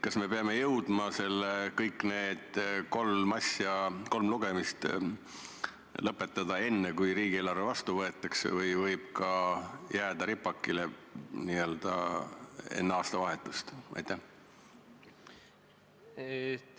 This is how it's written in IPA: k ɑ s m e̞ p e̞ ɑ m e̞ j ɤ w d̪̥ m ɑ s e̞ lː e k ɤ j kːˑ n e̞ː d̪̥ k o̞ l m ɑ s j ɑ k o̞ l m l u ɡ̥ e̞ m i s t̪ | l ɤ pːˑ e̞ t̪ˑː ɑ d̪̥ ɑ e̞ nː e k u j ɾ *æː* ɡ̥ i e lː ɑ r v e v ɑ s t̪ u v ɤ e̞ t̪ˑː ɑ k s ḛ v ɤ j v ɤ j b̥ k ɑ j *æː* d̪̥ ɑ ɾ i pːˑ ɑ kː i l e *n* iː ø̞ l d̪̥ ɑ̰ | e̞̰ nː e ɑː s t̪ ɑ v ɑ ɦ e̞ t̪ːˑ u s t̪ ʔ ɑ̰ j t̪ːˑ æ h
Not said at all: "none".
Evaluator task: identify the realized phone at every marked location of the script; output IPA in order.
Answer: iː, æː, n

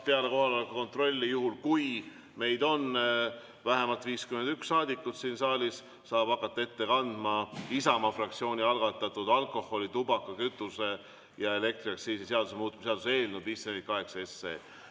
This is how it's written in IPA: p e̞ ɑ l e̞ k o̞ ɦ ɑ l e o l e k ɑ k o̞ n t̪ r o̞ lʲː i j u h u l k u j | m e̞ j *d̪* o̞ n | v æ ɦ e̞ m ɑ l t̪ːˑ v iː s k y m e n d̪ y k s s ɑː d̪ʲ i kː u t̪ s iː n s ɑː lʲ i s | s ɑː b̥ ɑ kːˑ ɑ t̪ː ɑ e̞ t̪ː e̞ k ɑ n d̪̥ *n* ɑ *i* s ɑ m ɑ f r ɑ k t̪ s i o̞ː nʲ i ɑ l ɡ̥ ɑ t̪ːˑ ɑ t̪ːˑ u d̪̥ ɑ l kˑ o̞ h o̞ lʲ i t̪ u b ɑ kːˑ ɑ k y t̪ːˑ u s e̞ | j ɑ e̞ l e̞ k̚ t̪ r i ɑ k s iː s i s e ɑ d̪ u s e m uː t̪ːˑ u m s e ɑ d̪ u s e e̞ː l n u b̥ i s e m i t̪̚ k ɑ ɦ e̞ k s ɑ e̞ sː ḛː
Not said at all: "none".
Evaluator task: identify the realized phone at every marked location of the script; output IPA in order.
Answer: d̪, m, i

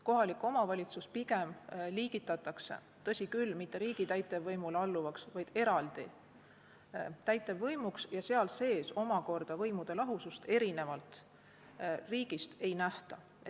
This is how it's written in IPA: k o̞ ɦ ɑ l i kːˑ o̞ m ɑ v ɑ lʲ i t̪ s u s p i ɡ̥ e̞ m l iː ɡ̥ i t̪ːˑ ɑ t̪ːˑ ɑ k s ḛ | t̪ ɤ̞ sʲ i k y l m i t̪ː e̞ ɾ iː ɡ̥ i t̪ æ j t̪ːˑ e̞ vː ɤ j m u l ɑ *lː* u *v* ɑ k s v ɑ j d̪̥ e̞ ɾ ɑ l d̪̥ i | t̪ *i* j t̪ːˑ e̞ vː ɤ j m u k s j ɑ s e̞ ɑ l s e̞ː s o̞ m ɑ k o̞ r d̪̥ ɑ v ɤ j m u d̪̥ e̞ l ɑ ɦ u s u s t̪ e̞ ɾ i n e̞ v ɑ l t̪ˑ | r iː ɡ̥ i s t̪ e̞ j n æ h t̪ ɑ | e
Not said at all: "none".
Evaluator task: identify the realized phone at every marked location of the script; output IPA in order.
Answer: lː, v, æ

